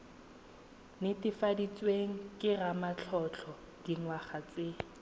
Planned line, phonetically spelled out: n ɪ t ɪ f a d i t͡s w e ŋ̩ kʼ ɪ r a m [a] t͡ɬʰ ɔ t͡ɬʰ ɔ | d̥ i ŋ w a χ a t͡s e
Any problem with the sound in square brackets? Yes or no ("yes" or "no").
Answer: no